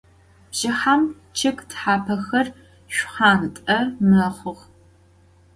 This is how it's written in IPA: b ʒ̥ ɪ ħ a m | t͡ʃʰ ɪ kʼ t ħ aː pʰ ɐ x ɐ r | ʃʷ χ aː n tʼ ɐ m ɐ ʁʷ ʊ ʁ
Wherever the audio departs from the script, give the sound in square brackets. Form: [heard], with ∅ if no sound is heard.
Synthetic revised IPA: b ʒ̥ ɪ ħ a m | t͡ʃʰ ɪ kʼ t ħ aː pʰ ɐ x ɐ r | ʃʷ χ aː n tʼ ɐ m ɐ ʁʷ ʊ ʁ